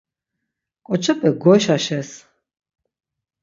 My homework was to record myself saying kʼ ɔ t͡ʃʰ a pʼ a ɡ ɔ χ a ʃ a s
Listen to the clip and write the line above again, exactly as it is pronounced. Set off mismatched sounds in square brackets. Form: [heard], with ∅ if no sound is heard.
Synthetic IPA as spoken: kʼ ɔ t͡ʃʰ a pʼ [ɛ] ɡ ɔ [ʃ] a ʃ [ɛ] s